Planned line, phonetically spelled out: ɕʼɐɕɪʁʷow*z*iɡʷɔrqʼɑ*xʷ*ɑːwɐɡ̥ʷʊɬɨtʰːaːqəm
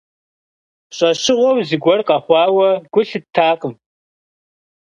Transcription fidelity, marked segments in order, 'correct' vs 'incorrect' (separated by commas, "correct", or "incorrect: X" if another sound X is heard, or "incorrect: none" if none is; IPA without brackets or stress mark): correct, incorrect: χʷ